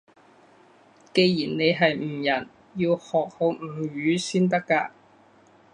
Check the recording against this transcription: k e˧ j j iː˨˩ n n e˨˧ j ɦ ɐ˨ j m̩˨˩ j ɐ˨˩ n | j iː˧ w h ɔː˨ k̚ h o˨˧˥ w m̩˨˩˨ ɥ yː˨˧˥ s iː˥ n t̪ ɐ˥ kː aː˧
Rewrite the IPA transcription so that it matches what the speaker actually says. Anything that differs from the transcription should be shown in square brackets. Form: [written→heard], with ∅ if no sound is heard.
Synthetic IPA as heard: k e˧ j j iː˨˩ n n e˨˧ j ɦ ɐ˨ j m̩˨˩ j ɐ˨˩ n | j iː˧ w h ɔː˨ k̚ h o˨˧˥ w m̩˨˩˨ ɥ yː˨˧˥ s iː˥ n t̪ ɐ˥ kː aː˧